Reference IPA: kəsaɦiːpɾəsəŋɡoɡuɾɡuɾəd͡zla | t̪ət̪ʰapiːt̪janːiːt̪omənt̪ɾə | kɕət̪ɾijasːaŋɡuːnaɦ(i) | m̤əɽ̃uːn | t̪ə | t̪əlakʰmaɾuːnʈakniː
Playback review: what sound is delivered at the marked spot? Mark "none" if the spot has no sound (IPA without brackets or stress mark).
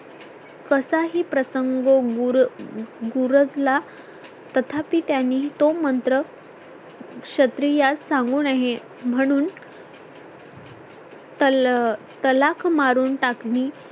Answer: e